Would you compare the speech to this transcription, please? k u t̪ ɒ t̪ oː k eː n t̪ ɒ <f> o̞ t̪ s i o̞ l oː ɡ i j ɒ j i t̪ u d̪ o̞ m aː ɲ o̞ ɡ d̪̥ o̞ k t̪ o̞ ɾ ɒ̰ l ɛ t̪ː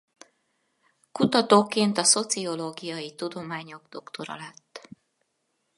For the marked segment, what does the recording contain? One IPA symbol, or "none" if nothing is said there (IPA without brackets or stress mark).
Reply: s